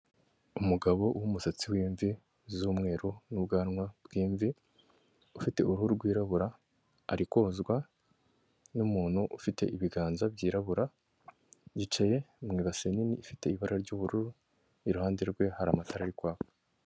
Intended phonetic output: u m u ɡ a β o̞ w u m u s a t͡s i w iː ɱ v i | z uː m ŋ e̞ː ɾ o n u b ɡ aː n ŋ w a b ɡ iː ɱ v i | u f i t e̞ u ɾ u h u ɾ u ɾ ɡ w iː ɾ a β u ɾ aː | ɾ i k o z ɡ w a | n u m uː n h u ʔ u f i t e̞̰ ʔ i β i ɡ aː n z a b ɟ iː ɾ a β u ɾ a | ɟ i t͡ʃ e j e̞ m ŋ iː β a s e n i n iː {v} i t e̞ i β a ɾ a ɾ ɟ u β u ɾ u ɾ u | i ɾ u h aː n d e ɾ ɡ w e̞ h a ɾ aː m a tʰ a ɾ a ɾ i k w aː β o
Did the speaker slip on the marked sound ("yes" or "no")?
yes